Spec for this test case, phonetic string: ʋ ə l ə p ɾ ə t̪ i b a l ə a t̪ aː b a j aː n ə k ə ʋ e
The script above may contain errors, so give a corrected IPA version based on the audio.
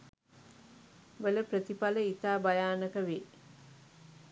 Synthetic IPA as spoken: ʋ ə l ə p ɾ ə t̪ i p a l ə i t̪ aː b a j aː n ə k ə ʋ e